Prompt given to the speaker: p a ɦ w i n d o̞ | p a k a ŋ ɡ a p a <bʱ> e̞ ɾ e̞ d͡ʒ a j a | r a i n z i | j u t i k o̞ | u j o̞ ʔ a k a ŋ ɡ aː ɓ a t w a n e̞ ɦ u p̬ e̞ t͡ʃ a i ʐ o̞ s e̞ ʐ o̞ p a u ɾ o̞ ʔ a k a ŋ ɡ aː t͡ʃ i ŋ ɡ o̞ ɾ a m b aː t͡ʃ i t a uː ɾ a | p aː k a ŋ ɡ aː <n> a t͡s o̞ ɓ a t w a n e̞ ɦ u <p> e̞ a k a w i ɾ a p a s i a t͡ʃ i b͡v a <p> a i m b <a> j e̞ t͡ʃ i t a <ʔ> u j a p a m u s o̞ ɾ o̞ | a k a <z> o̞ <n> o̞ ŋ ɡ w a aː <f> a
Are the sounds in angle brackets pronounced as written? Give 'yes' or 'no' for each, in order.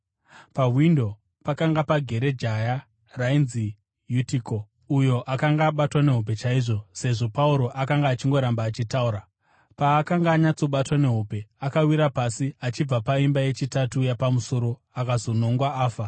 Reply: no, no, yes, yes, yes, no, yes, yes, yes

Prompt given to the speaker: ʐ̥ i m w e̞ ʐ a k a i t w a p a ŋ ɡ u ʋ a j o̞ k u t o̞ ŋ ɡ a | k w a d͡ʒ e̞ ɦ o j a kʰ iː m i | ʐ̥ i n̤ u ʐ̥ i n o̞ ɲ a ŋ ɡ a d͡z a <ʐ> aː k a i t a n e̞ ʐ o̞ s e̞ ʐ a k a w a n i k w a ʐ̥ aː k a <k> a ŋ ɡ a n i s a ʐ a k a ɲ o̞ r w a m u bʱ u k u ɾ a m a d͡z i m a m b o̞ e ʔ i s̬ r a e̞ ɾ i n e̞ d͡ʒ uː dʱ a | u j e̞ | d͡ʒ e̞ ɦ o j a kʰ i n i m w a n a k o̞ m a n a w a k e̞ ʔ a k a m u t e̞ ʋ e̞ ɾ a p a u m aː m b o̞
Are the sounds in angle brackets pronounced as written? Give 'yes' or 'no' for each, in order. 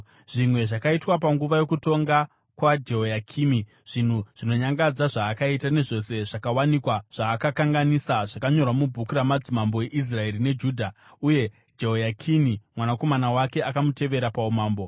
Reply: yes, yes

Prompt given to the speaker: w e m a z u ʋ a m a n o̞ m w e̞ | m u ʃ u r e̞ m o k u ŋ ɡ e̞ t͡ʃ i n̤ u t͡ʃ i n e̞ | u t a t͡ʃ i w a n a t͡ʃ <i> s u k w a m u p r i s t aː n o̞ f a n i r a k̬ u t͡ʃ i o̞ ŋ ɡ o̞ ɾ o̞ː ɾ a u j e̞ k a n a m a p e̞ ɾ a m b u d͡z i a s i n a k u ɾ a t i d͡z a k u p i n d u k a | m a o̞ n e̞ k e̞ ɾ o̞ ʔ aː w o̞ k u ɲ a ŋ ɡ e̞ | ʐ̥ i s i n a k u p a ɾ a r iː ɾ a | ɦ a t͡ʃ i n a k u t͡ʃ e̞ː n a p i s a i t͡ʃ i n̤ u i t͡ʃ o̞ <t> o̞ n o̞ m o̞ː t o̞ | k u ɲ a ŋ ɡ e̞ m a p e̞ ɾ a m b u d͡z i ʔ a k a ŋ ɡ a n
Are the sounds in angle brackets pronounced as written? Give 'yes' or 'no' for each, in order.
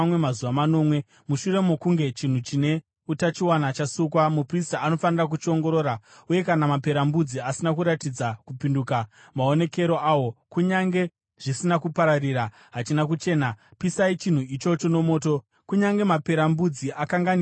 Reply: no, no

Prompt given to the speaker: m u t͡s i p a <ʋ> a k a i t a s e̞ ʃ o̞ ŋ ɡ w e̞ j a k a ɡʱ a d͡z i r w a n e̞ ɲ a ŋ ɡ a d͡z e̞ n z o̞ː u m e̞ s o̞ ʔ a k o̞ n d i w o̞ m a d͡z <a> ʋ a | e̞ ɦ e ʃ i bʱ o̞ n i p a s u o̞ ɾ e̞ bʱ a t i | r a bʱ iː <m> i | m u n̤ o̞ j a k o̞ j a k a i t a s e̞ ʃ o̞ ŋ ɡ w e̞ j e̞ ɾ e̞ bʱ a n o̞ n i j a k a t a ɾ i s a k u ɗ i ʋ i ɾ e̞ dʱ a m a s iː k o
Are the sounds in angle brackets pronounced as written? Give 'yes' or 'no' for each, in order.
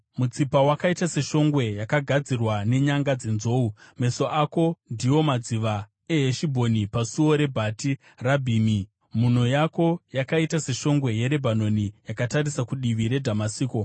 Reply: no, no, yes

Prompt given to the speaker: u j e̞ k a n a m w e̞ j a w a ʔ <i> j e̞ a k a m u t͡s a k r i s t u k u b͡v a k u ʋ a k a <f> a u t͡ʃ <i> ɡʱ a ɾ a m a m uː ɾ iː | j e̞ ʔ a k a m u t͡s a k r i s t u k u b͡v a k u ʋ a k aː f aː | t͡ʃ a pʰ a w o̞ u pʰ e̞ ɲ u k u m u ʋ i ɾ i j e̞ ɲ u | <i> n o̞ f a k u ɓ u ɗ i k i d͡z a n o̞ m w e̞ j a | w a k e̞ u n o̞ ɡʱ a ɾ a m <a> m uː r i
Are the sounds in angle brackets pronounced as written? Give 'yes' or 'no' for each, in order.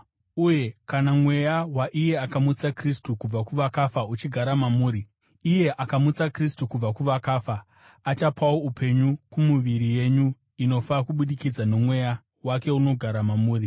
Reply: yes, yes, yes, yes, yes

